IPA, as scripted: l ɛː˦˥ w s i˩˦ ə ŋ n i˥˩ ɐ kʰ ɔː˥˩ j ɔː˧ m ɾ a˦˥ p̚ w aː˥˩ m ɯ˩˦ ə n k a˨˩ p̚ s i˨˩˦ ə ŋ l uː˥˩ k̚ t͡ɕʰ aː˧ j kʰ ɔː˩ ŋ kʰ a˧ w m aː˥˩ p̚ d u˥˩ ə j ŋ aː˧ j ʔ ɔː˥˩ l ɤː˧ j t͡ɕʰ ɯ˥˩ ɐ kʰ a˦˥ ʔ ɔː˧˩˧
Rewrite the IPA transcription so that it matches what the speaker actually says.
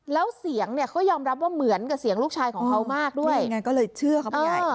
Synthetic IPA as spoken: l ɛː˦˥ w s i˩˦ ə ŋ n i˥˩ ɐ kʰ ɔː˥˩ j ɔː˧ m ɾ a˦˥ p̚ w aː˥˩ m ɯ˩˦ ə n k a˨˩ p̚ s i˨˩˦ ə ŋ l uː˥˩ k̚ t͡ɕʰ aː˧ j kʰ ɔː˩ ŋ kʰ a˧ w m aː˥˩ k̚ d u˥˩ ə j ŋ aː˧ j k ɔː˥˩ l ɤː˧ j t͡ɕʰ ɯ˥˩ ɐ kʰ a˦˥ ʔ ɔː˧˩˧